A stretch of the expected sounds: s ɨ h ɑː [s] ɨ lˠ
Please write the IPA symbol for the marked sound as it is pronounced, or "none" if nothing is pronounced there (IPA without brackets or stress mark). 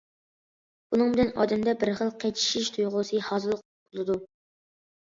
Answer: z